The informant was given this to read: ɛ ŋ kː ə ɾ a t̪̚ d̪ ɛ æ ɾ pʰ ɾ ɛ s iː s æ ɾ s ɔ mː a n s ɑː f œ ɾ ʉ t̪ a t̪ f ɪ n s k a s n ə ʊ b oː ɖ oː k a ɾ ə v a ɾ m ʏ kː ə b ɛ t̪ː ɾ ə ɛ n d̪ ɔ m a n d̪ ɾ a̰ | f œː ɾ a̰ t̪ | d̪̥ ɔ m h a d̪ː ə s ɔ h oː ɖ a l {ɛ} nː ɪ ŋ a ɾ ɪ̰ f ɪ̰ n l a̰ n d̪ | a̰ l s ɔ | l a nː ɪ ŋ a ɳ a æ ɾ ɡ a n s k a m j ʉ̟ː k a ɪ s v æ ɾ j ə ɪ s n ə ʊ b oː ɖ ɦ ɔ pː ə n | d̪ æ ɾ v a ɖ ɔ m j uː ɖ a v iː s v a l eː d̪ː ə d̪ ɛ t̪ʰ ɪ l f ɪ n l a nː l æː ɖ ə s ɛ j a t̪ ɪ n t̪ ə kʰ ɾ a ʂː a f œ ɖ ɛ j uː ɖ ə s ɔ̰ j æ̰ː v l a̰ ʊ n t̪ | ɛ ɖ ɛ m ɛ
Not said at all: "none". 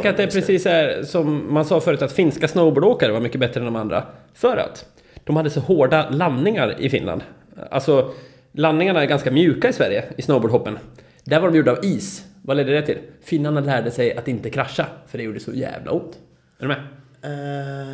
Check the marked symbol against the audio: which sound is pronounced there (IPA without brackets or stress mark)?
a